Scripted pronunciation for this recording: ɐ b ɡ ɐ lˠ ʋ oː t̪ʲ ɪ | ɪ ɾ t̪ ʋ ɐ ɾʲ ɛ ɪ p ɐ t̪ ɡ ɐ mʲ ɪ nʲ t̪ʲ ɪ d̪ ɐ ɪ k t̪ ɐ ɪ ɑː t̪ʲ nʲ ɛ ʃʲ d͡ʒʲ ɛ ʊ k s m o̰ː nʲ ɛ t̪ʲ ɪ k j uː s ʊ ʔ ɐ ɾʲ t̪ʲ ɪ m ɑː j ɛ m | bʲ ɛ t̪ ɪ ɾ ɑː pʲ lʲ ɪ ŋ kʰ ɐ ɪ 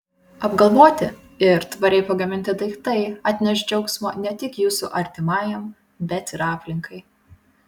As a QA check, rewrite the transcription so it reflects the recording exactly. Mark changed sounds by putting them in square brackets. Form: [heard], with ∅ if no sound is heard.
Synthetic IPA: ɐ b ɡ ɐ lˠ ʋ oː t̪ʲ ɪ | ɪ ɾ t̪ ʋ ɐ ɾʲ ɛ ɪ p ɐ [∅] ɡ ɐ mʲ ɪ nʲ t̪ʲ ɪ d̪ ɐ ɪ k t̪ ɐ ɪ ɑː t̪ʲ nʲ ɛ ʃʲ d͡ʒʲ ɛ ʊ k s m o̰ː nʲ ɛ t̪ʲ ɪ k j uː s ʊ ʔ ɐ ɾʲ t̪ʲ ɪ m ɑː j ɛ m | bʲ ɛ t̪ ɪ ɾ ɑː pʲ lʲ ɪ ŋ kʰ ɐ ɪ